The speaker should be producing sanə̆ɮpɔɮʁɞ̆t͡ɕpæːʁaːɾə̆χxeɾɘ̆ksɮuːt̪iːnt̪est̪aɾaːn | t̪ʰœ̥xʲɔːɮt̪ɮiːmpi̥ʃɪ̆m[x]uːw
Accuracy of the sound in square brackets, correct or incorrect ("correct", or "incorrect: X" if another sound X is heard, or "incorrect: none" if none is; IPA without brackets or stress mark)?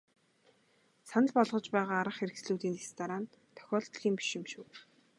incorrect: ʃ